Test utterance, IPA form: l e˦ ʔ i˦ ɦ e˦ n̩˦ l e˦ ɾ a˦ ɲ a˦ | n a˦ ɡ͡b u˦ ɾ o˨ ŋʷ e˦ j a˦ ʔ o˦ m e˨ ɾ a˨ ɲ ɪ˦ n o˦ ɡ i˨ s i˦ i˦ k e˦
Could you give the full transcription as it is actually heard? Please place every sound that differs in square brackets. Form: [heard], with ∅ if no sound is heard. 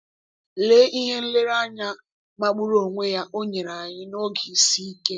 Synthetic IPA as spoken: l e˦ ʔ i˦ ɦ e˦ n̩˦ l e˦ ɾ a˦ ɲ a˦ | [m] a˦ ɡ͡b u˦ ɾ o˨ ŋʷ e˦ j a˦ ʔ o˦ [ɲ] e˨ ɾ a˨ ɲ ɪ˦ n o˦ ɡ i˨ s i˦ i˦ k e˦